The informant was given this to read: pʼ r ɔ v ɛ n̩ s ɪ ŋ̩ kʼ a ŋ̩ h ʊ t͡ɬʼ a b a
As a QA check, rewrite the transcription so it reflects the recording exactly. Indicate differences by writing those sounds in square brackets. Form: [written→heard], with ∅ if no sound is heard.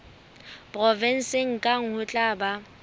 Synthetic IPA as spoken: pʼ r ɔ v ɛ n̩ s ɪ ŋ̩ kʼ a ŋ̩ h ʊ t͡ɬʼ a b a